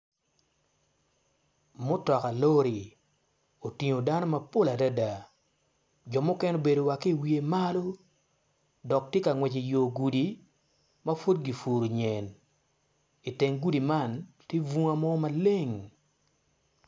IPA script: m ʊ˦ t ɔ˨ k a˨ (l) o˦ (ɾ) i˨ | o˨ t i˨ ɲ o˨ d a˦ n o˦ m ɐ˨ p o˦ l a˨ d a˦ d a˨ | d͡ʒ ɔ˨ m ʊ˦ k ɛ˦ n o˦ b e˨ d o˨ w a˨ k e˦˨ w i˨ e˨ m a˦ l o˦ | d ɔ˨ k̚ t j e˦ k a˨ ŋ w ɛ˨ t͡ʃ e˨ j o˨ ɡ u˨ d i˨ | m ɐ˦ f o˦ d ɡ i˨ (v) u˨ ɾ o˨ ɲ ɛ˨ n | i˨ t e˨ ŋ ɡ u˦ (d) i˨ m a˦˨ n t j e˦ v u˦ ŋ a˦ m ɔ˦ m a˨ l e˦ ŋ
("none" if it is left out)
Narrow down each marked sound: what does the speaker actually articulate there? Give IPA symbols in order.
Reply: l, ɾ, f, d

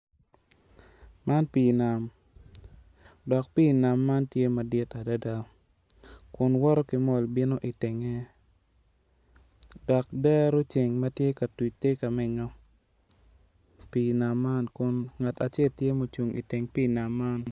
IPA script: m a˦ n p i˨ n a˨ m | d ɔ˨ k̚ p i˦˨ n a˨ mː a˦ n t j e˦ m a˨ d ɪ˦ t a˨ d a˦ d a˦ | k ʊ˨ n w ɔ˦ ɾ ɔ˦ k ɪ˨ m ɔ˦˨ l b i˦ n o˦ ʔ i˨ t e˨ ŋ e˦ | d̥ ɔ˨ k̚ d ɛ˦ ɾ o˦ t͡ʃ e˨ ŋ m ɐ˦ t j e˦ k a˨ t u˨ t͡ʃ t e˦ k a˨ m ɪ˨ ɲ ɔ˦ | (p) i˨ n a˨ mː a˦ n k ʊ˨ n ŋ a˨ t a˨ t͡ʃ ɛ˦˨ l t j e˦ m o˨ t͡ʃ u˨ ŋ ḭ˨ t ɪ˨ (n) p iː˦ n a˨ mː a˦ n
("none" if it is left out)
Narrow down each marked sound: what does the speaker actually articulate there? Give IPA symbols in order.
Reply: p, ŋ

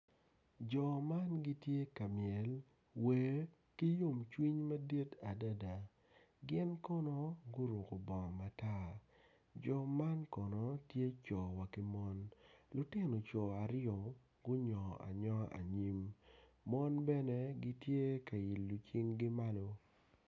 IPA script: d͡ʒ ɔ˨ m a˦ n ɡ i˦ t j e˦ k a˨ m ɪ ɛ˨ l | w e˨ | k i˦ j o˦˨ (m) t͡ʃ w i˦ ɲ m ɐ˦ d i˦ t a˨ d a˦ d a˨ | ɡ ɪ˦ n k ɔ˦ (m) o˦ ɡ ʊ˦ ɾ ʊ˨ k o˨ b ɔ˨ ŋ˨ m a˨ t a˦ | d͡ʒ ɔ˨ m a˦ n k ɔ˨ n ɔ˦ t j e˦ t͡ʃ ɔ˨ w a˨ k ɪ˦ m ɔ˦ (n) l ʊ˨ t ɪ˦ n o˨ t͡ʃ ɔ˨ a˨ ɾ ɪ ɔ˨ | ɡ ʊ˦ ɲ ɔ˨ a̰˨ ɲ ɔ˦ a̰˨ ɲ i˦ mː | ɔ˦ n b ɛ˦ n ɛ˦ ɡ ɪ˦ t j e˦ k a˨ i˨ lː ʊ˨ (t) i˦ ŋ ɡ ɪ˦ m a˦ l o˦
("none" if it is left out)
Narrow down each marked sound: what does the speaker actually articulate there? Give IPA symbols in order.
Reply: m, n, n, t͡ʃ

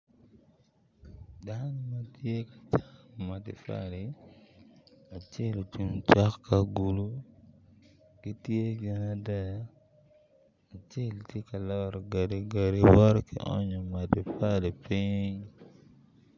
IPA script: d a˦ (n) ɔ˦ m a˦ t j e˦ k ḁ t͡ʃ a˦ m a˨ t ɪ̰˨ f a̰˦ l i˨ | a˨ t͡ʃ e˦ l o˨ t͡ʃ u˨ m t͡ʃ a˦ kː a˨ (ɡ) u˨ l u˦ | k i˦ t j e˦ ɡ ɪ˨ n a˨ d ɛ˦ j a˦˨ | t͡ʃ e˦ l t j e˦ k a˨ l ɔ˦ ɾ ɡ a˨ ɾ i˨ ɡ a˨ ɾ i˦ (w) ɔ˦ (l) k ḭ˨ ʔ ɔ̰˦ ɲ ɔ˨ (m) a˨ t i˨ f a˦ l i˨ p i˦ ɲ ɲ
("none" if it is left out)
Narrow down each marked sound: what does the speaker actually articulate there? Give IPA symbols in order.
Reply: n, ɡ, w, ɾ, m

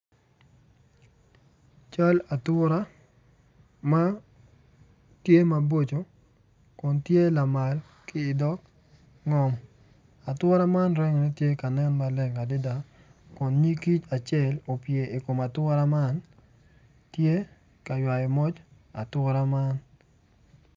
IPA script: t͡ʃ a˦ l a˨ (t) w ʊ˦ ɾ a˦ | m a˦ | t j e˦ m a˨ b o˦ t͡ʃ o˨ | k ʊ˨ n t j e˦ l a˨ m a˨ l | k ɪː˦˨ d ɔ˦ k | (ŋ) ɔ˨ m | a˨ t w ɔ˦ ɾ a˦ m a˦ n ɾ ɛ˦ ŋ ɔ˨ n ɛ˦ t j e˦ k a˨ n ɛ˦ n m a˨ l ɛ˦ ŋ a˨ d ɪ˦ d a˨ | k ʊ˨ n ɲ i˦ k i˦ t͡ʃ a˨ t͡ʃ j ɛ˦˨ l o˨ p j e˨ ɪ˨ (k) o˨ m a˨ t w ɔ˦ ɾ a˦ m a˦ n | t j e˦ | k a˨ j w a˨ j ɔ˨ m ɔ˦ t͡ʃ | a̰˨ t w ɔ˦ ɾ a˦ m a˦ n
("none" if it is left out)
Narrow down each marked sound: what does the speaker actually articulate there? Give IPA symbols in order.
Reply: t, ŋ, k

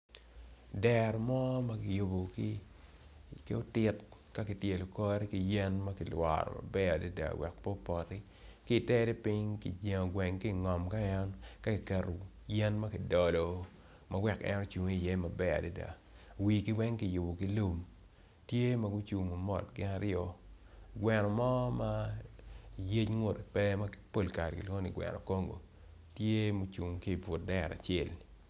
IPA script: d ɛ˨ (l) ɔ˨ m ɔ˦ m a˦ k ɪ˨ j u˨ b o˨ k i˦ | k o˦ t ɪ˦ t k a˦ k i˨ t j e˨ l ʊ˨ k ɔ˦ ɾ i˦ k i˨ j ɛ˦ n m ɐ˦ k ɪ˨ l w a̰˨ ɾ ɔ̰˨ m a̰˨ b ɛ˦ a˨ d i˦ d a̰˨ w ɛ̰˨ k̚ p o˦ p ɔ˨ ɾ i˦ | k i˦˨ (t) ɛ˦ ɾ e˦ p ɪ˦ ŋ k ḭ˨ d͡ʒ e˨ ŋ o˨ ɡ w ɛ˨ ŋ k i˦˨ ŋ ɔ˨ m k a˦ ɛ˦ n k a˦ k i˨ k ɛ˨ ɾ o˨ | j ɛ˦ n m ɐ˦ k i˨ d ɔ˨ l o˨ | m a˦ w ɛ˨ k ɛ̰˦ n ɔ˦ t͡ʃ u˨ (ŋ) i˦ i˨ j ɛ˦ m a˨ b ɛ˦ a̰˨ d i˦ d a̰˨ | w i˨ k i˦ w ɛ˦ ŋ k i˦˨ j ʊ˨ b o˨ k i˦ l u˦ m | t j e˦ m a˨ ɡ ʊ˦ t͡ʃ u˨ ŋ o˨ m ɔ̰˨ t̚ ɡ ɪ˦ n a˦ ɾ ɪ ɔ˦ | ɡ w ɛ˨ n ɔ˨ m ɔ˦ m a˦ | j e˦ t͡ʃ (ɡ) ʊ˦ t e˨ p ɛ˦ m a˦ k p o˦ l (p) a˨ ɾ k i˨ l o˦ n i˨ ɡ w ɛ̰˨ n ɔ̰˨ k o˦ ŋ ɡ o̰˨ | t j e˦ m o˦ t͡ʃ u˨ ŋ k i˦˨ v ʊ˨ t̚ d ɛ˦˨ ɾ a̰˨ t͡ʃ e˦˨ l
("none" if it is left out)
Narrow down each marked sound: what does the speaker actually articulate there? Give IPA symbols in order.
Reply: ɾ, t, ŋ, ŋ, k

